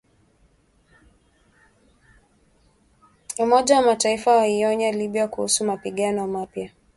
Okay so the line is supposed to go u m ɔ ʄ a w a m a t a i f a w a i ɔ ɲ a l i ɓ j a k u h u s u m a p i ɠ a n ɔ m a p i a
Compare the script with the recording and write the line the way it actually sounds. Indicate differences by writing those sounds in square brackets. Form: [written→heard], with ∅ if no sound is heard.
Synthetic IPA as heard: u m ɔ ʄ a w a m a t a i f a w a i ɔ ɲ a l i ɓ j a k u h u s u m a p i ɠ a n ɔ m a p [i→j] a